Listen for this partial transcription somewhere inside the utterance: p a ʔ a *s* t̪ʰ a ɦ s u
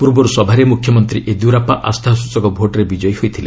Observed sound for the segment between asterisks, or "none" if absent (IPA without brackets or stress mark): s